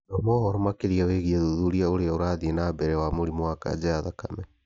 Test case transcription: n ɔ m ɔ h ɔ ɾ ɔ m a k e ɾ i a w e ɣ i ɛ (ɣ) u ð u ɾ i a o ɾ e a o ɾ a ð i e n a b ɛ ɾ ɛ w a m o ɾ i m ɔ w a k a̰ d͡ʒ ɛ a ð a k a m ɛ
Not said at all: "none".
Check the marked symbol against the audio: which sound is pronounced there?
ð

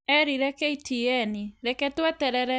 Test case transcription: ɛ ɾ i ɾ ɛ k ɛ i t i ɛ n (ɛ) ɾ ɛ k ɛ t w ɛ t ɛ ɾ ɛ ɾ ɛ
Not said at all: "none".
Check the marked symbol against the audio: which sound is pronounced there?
i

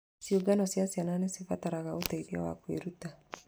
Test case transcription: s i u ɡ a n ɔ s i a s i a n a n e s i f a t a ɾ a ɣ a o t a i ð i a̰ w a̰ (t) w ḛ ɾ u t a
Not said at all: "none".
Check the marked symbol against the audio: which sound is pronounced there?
k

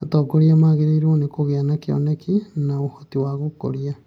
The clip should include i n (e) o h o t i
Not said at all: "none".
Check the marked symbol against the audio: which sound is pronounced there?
a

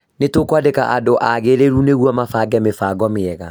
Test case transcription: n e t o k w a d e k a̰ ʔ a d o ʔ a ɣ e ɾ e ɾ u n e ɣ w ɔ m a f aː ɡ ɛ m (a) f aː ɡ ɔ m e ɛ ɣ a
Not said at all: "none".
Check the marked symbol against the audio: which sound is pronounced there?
e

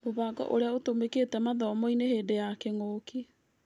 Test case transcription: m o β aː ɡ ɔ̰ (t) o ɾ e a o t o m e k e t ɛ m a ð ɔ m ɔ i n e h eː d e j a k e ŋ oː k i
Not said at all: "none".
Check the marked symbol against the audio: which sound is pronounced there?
ʔ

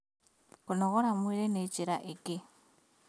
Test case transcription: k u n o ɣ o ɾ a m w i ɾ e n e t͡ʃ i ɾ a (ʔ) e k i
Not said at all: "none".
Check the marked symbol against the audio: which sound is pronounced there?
ʔ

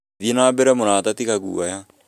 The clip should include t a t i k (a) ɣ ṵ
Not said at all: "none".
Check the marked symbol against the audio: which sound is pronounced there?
a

